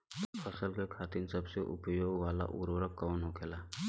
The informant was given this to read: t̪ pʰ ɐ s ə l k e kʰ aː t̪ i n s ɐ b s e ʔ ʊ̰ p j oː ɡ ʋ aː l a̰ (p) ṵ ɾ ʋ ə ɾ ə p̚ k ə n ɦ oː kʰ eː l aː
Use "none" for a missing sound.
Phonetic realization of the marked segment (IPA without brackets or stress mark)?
ʔ